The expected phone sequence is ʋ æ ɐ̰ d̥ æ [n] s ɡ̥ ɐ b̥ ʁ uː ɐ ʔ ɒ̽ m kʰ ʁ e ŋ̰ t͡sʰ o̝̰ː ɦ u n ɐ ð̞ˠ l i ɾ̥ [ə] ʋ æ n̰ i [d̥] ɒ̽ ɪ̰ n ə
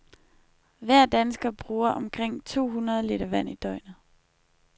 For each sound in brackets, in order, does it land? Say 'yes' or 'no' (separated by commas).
yes, no, yes